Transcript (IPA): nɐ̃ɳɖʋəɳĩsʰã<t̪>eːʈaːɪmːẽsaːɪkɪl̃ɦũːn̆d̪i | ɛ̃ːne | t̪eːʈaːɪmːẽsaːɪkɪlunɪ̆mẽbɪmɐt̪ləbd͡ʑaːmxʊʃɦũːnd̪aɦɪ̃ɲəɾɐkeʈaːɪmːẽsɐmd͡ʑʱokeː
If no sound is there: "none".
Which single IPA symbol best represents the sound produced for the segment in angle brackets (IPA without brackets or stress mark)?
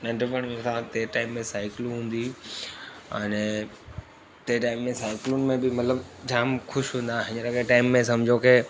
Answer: t̪